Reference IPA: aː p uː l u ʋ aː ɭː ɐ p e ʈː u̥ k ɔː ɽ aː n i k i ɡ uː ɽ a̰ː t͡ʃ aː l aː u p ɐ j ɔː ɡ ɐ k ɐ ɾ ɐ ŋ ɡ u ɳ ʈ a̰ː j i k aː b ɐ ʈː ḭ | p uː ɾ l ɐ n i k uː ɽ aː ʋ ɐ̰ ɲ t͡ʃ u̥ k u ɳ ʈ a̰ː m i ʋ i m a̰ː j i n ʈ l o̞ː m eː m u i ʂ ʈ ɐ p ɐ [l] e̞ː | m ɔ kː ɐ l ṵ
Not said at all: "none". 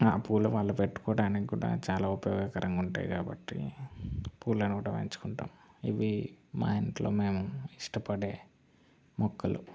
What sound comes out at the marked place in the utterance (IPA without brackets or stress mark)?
ɽ